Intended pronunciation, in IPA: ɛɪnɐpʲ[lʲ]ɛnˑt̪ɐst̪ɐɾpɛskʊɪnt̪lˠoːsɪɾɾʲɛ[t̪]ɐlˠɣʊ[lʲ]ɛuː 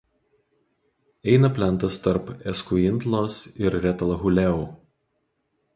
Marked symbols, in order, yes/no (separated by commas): yes, yes, yes